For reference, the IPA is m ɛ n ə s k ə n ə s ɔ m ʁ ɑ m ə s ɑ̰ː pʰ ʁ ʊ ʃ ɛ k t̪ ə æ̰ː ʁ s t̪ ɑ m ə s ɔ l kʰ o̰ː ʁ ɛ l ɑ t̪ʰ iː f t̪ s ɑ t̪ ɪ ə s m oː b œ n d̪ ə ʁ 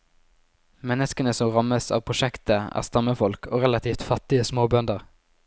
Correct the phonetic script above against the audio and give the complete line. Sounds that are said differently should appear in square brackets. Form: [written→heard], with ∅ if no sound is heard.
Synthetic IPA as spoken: m ɛ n ə s k ə n ə s ɔ m ʁ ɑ m ə s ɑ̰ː pʰ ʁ ʊ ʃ ɛ k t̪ ə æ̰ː ʁ s t̪ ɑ m ə [s→f] ɔ l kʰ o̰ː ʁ ɛ l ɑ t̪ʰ iː f t̪ [s→f] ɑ t̪ ɪ ə s m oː b œ n d̪ ə ʁ

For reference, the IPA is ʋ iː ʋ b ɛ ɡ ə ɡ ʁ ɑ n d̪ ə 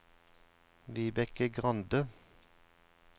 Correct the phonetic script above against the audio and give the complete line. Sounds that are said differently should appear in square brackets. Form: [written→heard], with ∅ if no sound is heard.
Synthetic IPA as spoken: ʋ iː [ʋ→∅] b ɛ [ɡ→k] ə ɡ ʁ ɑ n d̪ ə

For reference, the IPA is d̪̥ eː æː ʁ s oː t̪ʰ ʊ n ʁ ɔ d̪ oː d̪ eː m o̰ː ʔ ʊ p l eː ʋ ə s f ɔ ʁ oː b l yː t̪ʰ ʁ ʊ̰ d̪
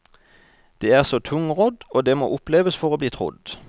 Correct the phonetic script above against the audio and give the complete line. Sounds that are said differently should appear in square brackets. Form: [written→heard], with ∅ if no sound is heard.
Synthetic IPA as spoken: d̪̥ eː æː ʁ s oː t̪ʰ ʊ [n→ŋ] ʁ ɔ d̪ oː d̪ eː m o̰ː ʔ ʊ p l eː ʋ ə s f ɔ ʁ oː b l [yː→iː] t̪ʰ ʁ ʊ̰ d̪

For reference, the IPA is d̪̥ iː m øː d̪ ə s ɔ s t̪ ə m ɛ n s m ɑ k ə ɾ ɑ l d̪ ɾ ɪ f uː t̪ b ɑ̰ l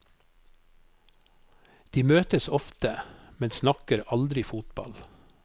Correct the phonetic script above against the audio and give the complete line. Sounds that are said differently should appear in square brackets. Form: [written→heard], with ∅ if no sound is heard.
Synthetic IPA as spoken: d̪̥ iː m øː [d̪→t̪] ə s ɔ [s→f] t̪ ə m ɛ n s [m→n] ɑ k ə ɾ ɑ l d̪ ɾ ɪ f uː t̪ b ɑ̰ l

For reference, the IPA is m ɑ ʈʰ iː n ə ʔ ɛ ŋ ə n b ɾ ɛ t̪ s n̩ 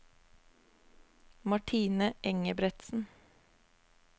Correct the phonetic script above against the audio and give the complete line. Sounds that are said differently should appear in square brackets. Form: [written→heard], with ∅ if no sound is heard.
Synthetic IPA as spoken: m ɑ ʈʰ iː n ə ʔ ɛ ŋ ə [n→∅] b ɾ ɛ t̪ s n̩

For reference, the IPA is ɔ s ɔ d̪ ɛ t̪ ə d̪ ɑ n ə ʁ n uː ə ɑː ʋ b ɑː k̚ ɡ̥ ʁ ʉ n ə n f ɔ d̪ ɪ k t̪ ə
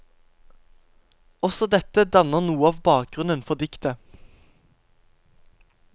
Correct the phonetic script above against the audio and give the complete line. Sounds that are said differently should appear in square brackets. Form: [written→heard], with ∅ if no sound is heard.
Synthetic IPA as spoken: ɔ s ɔ d̪ ɛ t̪ ə d̪ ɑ n ə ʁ n uː ə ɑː ʋ b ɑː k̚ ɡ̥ ʁ ʉ n ə n f ɔ d̪ ɪ k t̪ ə

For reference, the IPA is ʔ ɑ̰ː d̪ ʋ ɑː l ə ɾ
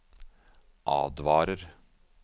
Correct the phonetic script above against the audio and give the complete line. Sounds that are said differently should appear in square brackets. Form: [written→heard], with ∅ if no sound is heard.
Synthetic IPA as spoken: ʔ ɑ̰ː d̪ ʋ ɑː [l→ɾ] ə ɾ

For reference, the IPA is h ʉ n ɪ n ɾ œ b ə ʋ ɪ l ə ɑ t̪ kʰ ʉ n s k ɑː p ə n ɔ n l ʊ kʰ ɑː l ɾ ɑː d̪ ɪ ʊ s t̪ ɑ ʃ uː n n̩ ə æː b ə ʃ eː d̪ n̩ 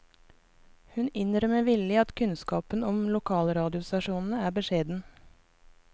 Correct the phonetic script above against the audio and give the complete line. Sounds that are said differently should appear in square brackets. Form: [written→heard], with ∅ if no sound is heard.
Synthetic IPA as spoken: h ʉ n ɪ n ɾ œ [b→m] ə ʋ ɪ l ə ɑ t̪ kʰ ʉ n s k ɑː p ə n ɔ [n→m] l ʊ kʰ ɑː l ɾ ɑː d̪ ɪ ʊ s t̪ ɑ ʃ uː n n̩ ə æː b ə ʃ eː d̪ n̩

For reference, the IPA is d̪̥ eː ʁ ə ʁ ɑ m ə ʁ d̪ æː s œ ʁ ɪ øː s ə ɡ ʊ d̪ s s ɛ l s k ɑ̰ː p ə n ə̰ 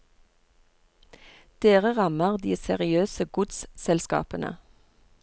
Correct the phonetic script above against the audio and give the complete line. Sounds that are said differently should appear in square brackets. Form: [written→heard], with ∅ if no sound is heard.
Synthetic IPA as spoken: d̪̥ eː ʁ ə ʁ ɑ m ə ʁ d̪ [æː→iː] s [œ→ɛ] ʁ ɪ øː s ə ɡ ʊ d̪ s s ɛ l s k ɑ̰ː p ə n ə̰

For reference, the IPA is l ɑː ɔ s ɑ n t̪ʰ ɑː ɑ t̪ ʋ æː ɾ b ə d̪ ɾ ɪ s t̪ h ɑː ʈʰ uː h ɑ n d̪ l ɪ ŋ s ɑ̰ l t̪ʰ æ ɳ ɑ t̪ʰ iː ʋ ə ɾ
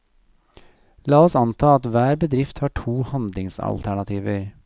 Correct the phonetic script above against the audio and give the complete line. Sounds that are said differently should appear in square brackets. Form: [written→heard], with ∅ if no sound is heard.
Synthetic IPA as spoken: l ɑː ɔ s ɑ n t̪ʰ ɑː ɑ t̪ ʋ æː ɾ b ə d̪ ɾ ɪ [s→f] t̪ h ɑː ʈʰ uː h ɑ n d̪ l ɪ ŋ s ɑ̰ l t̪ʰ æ ɳ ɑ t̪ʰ iː ʋ ə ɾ

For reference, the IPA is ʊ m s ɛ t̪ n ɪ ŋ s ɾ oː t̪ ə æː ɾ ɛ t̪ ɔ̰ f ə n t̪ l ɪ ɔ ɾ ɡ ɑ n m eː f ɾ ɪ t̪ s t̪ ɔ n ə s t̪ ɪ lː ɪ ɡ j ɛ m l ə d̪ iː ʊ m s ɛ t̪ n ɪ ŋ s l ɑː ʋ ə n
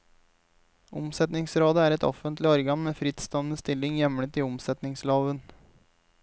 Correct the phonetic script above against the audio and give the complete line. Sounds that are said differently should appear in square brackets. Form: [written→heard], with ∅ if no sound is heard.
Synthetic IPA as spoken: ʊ m s ɛ t̪ n ɪ ŋ s ɾ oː [t̪→d̪] ə æː ɾ ɛ t̪ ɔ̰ f ə n t̪ l ɪ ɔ ɾ ɡ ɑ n m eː f ɾ ɪ t̪ s t̪ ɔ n ə s t̪ ɪ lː ɪ [ɡ→ŋ] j ɛ m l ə [d̪→t̪] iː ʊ m s ɛ t̪ n ɪ ŋ s l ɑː ʋ ə n

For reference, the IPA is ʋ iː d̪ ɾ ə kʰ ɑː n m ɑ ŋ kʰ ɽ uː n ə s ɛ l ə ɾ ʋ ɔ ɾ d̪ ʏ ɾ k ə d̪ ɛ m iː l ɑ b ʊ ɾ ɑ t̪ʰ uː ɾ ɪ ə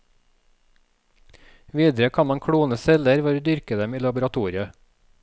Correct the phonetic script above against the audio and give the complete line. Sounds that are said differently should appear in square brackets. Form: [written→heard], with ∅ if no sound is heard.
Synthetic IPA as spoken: ʋ iː d̪ ɾ ə kʰ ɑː n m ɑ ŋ kʰ ɽ uː n ə s ɛ l ə ɾ ʋ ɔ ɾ d̪ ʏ ɾ k ə d̪ ɛ m iː l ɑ b ʊ ɾ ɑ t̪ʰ uː ɾ ɪ ə

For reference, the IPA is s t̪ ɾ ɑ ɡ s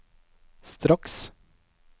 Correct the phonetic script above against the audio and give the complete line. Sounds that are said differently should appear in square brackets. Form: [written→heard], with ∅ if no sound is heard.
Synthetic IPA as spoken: s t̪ ɾ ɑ [ɡ→k] s

